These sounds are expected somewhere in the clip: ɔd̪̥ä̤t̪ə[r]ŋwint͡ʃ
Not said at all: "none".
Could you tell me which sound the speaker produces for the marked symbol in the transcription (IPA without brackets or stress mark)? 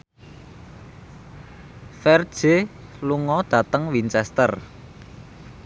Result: none